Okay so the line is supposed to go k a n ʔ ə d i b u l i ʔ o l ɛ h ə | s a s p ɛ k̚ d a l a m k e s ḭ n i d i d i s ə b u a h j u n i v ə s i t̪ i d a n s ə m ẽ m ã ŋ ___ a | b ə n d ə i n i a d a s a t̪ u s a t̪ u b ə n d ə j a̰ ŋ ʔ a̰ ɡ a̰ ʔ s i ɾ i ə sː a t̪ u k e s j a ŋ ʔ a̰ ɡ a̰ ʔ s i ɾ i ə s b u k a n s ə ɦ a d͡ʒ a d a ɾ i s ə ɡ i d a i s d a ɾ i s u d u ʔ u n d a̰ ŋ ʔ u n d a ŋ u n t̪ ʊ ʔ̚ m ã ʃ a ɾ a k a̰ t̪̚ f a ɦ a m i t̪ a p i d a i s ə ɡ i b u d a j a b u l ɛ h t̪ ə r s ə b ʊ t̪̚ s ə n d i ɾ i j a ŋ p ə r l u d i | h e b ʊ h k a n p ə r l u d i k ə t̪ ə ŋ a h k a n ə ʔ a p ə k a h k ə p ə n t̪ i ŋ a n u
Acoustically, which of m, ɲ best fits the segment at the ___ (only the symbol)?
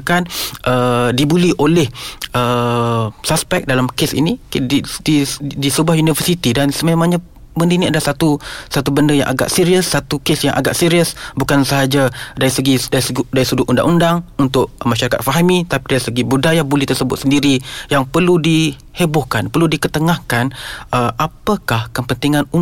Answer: ɲ